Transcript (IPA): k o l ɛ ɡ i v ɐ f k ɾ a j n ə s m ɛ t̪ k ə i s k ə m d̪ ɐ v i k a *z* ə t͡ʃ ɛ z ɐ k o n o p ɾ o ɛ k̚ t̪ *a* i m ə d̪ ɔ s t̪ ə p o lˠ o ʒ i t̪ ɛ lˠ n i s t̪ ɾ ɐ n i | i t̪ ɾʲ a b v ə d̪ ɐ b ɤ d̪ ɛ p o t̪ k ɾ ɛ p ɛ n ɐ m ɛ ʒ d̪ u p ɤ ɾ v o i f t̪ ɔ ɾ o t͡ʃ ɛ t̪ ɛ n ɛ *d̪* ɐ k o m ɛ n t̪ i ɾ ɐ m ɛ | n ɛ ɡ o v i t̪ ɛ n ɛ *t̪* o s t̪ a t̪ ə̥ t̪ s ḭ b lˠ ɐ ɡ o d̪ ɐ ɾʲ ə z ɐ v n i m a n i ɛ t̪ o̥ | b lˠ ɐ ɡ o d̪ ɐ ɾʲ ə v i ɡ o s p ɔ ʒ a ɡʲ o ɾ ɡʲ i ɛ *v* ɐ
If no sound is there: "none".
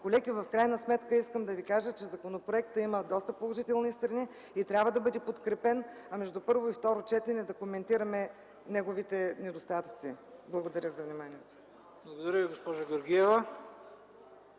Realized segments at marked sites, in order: ʒ, ə, d̪, d̪, v

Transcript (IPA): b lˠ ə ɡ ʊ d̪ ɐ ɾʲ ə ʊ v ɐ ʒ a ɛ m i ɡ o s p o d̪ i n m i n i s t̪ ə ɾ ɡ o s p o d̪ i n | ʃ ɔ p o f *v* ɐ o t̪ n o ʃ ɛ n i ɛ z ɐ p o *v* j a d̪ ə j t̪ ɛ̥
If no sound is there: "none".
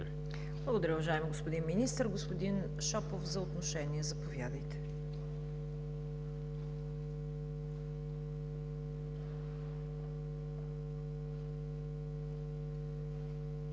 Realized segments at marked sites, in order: z, v

